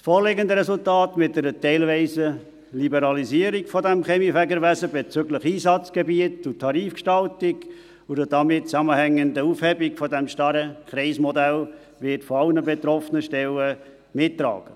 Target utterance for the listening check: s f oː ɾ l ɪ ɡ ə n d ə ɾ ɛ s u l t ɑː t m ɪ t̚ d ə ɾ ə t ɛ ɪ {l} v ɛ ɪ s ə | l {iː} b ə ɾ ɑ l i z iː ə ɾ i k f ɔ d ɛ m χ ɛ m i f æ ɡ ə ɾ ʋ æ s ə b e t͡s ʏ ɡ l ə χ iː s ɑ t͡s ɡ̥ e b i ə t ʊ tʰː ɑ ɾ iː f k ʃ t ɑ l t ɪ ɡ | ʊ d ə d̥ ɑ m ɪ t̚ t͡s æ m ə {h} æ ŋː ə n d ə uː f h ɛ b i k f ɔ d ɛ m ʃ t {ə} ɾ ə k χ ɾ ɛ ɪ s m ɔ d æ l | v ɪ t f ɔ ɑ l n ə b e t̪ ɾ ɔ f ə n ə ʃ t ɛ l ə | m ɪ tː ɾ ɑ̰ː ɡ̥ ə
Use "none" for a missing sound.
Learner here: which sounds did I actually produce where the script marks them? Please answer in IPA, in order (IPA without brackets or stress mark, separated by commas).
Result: l, i, h, ɑ